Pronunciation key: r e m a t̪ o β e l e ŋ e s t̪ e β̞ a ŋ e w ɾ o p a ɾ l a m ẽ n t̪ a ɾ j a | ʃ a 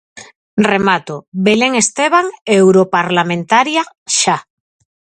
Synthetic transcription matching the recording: r e m a t̪ o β e l e ŋ e s t̪ e β̞ a ŋ e w ɾ o p a ɾ l a m ẽ n t̪ a ɾ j a | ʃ a